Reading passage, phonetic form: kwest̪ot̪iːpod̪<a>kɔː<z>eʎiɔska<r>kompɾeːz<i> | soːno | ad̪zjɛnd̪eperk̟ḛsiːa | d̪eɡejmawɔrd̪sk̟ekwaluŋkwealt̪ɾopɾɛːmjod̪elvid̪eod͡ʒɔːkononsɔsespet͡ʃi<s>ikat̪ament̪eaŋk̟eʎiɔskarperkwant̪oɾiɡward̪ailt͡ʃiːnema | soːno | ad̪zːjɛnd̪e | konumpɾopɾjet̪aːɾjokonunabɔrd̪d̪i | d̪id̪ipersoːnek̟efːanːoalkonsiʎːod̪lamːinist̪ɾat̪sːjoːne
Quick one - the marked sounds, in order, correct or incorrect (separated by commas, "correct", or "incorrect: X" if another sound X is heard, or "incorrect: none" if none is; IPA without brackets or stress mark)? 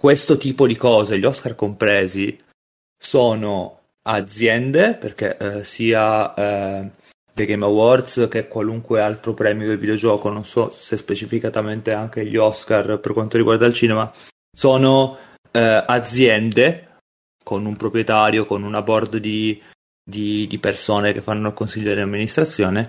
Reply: incorrect: i, correct, correct, correct, incorrect: f